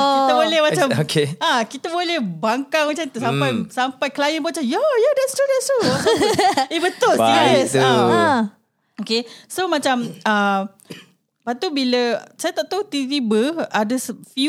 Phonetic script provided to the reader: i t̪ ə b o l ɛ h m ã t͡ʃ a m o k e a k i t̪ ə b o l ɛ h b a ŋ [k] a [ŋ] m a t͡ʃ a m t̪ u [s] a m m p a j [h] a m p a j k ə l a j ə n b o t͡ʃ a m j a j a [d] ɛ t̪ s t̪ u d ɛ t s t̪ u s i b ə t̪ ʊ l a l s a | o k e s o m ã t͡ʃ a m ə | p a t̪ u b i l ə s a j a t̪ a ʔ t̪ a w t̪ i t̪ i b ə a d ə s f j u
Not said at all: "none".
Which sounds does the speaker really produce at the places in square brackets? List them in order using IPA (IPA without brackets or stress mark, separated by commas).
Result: k, ŋ, s, s, d